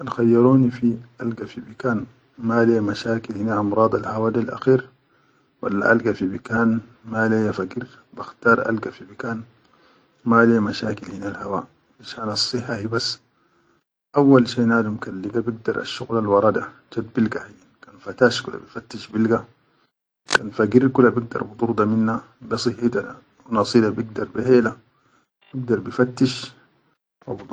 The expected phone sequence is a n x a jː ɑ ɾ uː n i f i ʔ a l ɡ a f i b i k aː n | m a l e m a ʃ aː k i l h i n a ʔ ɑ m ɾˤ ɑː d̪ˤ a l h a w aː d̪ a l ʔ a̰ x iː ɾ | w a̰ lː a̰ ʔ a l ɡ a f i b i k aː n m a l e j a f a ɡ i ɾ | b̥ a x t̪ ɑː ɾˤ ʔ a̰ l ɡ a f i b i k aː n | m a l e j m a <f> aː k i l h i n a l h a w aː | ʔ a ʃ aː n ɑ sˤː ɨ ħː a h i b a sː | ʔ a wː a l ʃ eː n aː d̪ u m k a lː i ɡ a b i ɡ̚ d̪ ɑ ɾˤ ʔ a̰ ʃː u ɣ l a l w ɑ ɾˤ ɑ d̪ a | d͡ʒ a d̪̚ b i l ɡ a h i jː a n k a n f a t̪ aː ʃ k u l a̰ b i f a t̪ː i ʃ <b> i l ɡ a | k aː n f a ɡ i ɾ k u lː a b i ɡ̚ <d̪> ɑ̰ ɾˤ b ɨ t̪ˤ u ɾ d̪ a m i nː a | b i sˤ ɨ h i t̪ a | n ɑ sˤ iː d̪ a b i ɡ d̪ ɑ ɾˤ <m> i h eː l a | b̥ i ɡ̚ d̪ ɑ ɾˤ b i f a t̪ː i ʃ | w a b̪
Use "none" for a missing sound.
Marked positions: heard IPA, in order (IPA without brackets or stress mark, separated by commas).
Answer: ʃ, b, d̪, b